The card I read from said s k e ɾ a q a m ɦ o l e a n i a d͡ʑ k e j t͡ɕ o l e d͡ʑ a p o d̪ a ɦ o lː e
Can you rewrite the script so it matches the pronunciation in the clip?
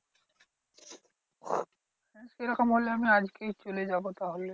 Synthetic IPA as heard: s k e ɾ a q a m ɦ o l e a m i a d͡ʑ k e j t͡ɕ o l e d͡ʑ a b o t̪ a ɦ o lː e